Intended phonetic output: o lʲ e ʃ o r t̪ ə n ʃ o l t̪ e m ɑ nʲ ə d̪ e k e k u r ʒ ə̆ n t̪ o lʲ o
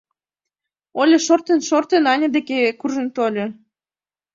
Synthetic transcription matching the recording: o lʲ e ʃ o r t̪ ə n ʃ o r t̪ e n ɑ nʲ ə d̪ e k e k u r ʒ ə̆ n t̪ o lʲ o